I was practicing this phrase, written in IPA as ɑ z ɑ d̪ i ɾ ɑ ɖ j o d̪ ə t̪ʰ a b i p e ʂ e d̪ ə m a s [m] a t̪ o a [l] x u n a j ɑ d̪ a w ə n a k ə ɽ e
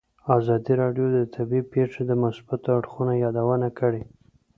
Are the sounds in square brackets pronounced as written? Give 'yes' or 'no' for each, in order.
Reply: no, no

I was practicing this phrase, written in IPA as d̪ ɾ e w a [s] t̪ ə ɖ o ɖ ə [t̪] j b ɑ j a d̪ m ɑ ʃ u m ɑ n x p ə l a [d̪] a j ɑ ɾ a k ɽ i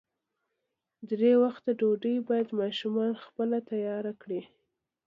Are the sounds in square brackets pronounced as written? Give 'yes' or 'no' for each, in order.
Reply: no, no, no

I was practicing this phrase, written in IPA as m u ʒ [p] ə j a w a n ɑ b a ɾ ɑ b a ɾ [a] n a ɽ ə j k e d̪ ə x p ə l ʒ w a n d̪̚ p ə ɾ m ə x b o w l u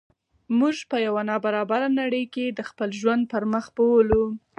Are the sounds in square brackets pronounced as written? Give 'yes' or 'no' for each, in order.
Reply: yes, yes

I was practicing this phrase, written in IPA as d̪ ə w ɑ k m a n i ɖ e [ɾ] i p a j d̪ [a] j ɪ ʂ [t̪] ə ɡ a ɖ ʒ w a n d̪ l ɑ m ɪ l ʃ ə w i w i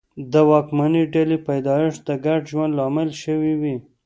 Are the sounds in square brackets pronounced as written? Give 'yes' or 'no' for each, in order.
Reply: no, no, no

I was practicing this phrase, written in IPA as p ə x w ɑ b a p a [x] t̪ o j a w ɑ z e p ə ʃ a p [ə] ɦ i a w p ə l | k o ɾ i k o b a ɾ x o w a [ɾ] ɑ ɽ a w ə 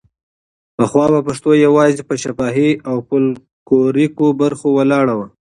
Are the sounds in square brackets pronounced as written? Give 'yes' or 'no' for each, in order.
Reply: no, no, no

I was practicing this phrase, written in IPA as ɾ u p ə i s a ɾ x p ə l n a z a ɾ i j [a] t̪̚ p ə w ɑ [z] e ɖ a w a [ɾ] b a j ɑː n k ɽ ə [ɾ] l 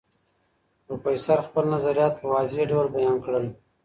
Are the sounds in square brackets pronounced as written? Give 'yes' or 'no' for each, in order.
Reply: no, yes, no, no

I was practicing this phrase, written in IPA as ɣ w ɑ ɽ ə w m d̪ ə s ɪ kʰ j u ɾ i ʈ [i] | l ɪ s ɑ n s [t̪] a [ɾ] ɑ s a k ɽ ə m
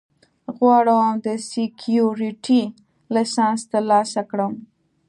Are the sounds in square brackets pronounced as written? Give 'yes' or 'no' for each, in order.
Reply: yes, yes, no

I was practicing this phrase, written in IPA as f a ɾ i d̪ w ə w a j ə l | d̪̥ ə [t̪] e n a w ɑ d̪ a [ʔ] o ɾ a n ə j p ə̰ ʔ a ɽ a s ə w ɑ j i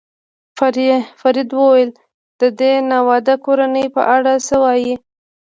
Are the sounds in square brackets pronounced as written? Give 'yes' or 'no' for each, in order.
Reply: no, no

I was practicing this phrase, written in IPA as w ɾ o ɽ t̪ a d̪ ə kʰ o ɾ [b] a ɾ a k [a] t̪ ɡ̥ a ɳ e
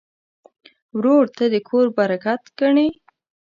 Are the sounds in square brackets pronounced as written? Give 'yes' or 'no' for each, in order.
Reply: yes, yes

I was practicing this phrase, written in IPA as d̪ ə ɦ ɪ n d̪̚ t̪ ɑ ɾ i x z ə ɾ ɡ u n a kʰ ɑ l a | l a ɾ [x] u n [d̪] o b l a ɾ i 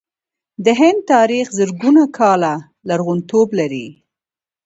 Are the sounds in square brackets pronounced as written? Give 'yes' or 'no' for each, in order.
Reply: no, no

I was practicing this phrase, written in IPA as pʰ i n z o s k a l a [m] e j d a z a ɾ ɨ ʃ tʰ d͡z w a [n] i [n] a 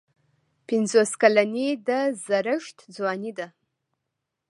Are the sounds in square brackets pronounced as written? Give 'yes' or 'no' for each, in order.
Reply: no, yes, no

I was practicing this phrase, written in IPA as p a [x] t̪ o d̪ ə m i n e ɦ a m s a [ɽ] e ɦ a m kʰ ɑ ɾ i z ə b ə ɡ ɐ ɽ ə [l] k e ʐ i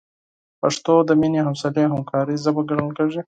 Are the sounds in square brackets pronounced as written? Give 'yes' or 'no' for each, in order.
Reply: no, no, yes

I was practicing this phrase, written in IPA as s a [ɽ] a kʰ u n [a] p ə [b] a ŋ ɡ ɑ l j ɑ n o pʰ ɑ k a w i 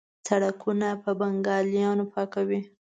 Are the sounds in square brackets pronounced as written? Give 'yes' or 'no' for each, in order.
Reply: yes, yes, yes

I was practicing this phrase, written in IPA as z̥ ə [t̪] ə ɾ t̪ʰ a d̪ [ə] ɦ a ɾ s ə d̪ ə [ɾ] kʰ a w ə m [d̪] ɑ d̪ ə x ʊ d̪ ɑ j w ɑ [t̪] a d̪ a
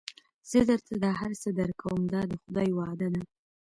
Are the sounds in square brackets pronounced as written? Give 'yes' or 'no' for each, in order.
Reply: no, no, yes, yes, no

